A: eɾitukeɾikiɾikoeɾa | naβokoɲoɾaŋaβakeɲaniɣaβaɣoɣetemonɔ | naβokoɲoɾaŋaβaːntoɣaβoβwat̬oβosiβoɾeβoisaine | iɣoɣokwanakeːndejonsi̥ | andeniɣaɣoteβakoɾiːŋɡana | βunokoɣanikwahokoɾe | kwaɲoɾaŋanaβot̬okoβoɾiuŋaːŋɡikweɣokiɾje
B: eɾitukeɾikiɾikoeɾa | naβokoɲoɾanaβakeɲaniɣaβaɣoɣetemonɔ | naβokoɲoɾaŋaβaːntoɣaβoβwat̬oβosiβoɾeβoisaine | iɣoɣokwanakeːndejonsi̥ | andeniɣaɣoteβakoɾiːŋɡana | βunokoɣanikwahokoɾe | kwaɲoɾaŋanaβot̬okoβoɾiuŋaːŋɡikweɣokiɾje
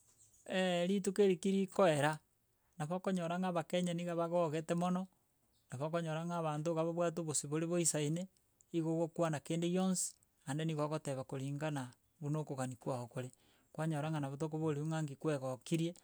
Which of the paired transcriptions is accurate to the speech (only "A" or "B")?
A